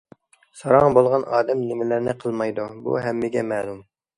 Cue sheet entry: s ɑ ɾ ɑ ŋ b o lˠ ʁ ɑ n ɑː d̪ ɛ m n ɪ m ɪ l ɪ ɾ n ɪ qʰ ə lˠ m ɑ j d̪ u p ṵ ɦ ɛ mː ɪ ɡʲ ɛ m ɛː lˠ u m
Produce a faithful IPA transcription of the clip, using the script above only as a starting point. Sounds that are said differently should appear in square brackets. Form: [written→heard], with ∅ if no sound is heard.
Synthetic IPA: s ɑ ɾ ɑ ŋ b o lˠ ʁ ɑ n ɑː d̪ ɛ m n ɪ m ɪ l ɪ ɾ n ɪ qʰ ə lˠ m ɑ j d̪ u [p→b] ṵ ɦ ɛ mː ɪ ɡʲ ɛ m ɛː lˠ u m